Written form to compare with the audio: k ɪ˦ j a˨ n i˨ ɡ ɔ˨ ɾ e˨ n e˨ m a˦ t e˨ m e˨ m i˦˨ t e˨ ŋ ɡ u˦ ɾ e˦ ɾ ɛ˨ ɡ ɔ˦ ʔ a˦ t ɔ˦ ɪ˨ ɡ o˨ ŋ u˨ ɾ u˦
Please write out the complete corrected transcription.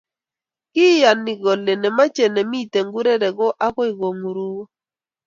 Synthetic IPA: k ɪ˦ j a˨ n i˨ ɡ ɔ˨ l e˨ n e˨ m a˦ t͡ʃ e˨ n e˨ m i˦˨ t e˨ ŋ ɡ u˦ ɾ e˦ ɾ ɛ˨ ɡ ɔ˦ ʔ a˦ k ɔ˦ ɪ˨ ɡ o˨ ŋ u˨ ɾ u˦